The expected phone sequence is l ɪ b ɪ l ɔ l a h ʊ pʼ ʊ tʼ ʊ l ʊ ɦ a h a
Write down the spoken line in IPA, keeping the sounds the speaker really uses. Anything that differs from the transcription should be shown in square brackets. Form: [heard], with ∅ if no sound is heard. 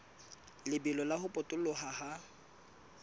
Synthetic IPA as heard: l ɪ b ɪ l ɔ l a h ʊ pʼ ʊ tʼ ʊ l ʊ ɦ a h a